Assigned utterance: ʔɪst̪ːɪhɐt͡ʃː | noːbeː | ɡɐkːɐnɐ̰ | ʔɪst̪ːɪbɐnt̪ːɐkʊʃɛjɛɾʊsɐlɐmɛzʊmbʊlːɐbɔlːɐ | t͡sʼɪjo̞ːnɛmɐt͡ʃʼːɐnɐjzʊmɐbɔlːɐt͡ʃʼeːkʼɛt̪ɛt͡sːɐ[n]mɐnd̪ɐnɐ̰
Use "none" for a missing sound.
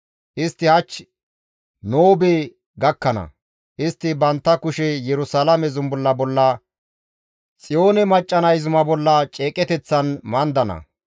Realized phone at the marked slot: n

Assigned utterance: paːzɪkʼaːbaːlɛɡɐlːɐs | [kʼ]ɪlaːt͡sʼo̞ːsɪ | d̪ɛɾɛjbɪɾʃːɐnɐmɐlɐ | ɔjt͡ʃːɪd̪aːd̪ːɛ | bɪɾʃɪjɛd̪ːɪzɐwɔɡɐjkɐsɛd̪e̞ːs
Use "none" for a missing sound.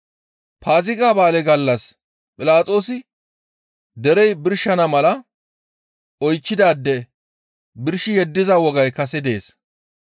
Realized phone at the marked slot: pʼ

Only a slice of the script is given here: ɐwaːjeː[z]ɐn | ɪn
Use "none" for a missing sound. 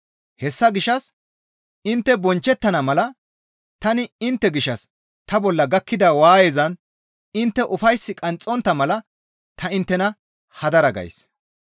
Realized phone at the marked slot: z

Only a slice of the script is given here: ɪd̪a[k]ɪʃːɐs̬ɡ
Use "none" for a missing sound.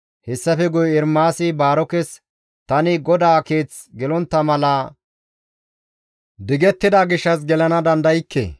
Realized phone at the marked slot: ɡ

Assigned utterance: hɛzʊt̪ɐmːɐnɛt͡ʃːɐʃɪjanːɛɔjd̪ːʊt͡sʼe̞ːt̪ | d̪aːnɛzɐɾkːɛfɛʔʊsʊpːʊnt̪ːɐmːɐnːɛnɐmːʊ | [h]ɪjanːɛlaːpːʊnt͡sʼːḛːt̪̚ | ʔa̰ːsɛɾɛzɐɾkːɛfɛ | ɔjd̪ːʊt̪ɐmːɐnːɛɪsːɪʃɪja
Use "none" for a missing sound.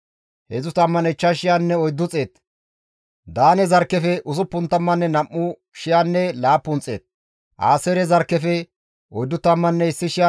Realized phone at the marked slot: ʃ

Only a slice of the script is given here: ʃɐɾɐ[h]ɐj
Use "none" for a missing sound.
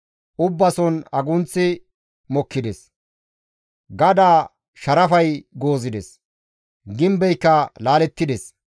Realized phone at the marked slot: f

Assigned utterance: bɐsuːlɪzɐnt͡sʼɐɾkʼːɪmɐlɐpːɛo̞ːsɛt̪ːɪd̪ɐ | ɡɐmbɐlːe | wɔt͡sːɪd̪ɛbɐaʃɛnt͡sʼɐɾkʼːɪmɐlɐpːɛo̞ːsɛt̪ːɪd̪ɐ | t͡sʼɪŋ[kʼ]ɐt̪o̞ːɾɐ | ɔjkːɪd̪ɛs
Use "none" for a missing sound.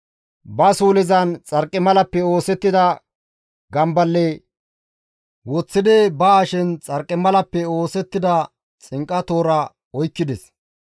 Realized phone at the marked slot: kʼ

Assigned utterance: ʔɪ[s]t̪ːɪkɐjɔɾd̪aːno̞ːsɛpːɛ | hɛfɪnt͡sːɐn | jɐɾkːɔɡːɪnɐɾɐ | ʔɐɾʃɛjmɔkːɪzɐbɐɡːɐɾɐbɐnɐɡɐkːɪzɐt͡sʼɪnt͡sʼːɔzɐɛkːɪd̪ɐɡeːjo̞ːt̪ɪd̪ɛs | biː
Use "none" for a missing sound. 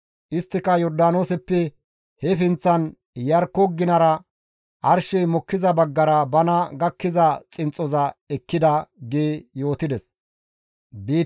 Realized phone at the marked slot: s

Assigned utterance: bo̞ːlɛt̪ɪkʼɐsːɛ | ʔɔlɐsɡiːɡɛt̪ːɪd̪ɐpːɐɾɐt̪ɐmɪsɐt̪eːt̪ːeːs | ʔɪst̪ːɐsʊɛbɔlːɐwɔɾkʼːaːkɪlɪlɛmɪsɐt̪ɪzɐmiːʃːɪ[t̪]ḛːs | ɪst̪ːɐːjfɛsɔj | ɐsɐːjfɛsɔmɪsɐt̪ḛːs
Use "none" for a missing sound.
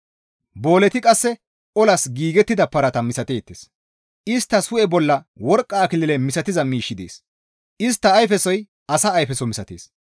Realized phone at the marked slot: d̪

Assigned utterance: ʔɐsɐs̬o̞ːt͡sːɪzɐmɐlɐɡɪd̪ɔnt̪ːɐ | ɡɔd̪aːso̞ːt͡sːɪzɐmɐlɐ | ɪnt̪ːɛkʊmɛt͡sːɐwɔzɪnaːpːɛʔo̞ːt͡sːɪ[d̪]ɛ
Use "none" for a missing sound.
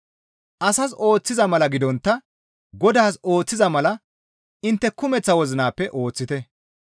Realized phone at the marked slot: t̪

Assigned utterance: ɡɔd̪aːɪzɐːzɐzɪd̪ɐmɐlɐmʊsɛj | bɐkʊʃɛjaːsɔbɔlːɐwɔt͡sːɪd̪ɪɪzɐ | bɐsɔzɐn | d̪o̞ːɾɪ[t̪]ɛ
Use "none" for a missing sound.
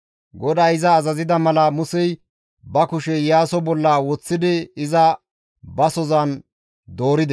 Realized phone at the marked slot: d̪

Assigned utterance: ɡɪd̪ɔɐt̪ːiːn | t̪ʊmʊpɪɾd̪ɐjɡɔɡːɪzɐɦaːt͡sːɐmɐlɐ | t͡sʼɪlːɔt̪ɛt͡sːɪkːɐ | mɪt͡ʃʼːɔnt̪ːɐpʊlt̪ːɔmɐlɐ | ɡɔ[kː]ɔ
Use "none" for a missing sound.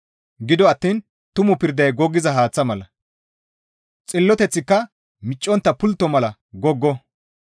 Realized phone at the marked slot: ɡː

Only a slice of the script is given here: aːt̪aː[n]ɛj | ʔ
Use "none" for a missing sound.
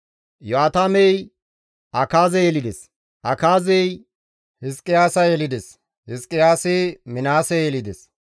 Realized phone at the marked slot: m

